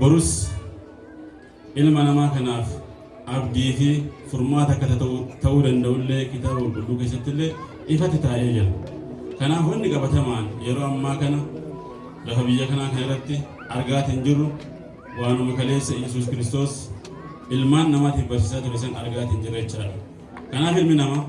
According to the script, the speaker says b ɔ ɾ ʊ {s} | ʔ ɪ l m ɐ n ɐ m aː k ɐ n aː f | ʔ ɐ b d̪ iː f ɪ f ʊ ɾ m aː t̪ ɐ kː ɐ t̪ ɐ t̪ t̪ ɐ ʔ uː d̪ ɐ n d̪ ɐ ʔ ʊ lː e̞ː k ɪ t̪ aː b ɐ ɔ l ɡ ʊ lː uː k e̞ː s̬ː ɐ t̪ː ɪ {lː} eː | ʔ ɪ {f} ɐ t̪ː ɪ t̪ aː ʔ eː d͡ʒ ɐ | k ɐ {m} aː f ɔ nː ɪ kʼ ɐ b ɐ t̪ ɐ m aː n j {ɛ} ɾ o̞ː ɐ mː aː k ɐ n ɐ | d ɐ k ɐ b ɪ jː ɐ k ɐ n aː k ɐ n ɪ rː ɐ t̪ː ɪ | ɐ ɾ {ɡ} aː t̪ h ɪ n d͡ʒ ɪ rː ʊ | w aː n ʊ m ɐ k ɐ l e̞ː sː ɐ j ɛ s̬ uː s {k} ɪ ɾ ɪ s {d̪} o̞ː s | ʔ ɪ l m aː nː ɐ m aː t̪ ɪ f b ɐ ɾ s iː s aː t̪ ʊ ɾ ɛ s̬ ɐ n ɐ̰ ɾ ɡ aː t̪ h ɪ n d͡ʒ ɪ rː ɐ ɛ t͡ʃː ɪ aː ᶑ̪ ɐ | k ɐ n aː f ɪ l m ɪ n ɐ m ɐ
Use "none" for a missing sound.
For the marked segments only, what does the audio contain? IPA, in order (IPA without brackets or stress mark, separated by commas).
s, lː, f, n, ɛ, ɡ, k, t̪